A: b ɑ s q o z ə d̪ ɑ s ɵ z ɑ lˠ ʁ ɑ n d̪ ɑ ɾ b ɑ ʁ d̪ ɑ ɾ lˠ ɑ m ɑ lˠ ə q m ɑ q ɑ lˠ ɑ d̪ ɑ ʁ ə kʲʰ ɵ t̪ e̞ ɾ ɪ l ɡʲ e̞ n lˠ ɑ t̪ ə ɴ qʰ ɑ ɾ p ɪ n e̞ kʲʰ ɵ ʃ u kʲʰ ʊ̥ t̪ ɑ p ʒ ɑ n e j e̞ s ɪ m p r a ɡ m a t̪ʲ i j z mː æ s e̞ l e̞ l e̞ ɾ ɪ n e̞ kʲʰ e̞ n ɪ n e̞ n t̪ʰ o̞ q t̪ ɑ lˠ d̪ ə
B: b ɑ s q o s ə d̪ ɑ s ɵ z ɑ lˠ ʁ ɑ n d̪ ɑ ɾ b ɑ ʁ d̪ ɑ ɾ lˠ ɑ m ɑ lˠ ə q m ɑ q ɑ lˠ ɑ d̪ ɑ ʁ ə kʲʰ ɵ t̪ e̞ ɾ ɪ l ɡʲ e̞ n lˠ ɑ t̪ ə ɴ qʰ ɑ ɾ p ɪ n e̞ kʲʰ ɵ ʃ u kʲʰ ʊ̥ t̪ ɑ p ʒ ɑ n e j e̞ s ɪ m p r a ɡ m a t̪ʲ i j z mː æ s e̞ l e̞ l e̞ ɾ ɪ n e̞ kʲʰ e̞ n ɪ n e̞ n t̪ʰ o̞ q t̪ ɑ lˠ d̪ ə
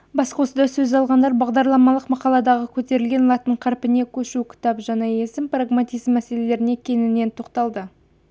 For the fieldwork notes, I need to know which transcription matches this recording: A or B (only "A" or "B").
B